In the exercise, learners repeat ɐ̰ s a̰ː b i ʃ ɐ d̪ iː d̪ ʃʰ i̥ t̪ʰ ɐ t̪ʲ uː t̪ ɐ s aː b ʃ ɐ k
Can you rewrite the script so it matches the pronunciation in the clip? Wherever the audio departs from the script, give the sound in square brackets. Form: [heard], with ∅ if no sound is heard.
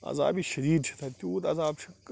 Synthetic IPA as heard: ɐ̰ [z] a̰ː b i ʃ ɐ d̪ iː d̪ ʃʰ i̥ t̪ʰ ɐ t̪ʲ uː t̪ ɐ [z] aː b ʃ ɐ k

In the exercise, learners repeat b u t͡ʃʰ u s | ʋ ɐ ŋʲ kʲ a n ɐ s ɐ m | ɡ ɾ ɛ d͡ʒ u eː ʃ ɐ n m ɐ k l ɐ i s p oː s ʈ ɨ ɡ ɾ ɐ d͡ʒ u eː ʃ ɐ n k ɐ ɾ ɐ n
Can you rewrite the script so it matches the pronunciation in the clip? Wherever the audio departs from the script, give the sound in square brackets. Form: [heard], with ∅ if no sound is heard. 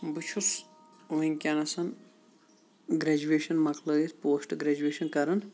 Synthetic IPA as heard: b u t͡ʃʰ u s | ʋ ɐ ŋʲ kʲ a n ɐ s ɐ [n] | ɡ ɾ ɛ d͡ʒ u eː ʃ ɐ n m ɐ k l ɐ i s p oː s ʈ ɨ ɡ ɾ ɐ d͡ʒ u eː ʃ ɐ n k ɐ ɾ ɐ n

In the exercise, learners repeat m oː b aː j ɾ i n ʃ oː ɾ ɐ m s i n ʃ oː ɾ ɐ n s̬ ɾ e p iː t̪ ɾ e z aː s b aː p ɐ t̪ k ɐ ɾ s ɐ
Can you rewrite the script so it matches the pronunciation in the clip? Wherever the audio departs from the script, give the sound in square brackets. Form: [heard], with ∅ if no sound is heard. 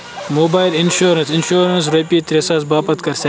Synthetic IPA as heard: m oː b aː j [l] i n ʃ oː ɾ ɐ [n] s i n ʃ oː ɾ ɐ n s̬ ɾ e p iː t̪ ɾ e [s] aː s b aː p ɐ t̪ k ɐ ɾ s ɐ

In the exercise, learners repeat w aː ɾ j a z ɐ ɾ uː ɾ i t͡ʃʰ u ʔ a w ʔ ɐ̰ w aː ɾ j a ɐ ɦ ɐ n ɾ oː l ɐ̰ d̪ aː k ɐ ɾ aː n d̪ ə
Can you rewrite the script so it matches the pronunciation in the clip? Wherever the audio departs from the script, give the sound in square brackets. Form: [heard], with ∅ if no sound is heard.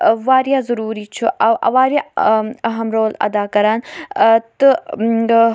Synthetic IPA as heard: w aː ɾ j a z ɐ ɾ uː ɾ i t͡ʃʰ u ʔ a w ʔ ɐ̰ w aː ɾ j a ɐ ɦ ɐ [m] ɾ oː l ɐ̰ d̪ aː k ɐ ɾ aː n [t̪] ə

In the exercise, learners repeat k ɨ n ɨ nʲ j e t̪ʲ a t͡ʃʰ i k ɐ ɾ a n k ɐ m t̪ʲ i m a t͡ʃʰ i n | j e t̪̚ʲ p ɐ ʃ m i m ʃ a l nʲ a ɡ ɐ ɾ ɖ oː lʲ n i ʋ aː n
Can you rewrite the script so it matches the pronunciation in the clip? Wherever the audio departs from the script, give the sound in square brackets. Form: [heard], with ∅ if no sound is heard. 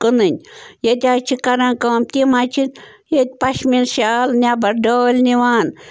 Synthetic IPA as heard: k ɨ n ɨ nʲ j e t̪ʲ a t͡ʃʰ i k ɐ ɾ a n k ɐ m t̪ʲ i m a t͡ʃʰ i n | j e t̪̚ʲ p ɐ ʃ m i [n] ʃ a l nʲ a [b] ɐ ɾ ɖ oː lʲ n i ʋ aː n

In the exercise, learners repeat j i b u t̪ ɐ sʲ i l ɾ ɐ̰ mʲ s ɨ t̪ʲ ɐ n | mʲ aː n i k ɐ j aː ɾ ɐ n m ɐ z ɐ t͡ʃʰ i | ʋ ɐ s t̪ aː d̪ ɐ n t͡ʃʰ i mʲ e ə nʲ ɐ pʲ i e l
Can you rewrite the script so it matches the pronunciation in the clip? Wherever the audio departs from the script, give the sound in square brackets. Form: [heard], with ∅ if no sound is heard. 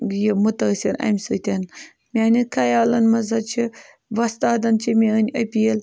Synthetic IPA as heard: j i [m] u t̪ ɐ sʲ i [∅] ɾ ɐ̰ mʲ s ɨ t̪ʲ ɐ n | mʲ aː n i k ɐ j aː [l] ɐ n m ɐ z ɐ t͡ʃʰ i | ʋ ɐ s t̪ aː d̪ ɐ n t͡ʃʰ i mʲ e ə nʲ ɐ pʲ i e l

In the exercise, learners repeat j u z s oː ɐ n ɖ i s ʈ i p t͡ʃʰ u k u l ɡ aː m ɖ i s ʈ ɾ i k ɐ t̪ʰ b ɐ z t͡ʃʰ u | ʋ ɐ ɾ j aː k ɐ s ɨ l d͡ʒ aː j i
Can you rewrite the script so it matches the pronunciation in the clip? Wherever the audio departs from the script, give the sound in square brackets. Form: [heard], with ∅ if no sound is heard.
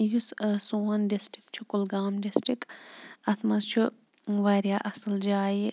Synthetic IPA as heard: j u [s] s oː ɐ n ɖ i s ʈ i [k] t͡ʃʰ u k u l ɡ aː m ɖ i s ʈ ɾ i k ɐ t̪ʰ [m] ɐ z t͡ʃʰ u | ʋ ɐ ɾ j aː [ʔ] ɐ s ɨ l d͡ʒ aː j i

